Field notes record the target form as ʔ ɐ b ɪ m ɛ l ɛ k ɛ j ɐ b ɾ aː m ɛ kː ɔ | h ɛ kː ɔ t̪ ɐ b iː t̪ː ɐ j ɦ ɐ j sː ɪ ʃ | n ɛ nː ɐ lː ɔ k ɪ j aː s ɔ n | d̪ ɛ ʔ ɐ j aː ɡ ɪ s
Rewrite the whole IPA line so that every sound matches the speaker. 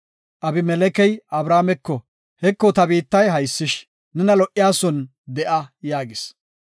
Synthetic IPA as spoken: ʔ ɐ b ɪ m ɛ l ɛ k ɛ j ɐ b ɾ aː m ɛ kː ɔ | h ɛ kː ɔ t̪ ɐ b iː t̪ː ɐ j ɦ ɐ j sː ɪ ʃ | n ɛ n ɐ l ɔ ʔ ɪ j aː s ɔ n | d̪ ɛ ʔ ɐ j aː ɡ ɪ s